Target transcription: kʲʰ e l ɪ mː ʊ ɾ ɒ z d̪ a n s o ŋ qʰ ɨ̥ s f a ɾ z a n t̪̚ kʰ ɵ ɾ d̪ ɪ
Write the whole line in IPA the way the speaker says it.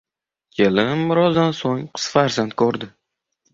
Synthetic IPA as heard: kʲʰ e l ɪ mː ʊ ɾ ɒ z d̪ a n s o ŋ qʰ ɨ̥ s f a ɾ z a n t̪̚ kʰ ɵ ɾ d̪ ɪ